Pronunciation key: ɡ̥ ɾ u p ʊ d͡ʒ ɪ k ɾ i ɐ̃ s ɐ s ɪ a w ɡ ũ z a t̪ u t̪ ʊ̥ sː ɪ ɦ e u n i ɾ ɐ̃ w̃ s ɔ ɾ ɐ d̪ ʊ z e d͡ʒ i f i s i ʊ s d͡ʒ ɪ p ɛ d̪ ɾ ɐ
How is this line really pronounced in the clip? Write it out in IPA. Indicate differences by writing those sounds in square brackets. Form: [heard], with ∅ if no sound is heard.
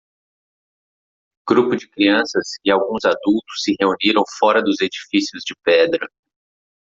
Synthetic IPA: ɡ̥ ɾ u p ʊ d͡ʒ ɪ k ɾ i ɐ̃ s ɐ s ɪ a w ɡ ũ z a [d̪] u t̪ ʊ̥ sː ɪ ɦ e u n i ɾ ɐ̃ w̃ [f] ɔ ɾ ɐ d̪ ʊ z e d͡ʒ i f i s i ʊ [z] d͡ʒ ɪ p ɛ d̪ ɾ ɐ